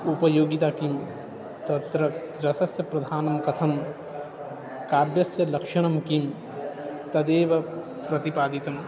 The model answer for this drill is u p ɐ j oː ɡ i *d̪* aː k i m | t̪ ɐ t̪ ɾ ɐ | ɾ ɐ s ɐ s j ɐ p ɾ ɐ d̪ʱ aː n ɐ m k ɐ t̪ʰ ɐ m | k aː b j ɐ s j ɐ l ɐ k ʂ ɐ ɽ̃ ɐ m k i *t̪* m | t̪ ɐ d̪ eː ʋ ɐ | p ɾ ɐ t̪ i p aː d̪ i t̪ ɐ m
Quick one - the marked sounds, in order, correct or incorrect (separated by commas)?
incorrect, incorrect